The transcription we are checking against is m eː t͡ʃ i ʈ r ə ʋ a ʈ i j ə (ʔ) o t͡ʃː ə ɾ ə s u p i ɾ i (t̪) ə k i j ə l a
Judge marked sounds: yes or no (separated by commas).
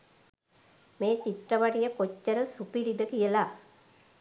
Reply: no, no